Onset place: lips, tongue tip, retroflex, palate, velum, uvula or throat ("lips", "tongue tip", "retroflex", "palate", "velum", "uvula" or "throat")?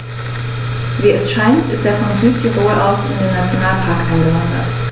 lips